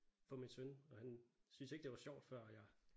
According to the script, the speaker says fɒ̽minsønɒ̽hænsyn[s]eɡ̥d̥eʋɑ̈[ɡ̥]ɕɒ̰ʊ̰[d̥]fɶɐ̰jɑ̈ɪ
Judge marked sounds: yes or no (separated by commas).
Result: yes, no, yes